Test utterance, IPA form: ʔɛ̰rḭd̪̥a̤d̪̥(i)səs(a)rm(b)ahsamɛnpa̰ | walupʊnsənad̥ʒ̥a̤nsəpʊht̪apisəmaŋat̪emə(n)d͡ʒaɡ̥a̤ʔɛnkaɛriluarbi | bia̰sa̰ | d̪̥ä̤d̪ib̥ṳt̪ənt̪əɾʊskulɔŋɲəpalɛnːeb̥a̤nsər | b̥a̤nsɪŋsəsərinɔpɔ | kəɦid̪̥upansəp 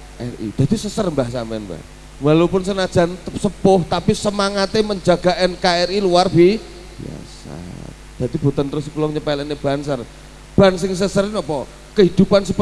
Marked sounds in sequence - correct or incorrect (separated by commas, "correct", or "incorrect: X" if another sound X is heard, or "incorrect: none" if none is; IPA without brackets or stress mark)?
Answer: correct, incorrect: ə, correct, incorrect: ɲ